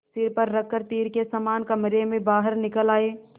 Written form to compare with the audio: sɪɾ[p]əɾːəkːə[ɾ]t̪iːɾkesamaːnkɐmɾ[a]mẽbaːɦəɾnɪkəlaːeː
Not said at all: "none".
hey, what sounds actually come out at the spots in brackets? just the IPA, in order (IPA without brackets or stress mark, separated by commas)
p, ɾ, e